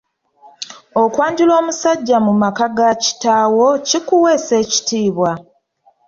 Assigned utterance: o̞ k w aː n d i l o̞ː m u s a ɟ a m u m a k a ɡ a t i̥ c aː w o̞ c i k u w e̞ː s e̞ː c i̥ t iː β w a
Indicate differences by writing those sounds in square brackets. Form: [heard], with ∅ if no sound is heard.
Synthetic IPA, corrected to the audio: o̞ k w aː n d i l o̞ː m u s a [ɟː] a m u m a k a ɡ a [c] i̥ [t] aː w o̞ c i k u w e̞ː s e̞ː c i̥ t iː β w a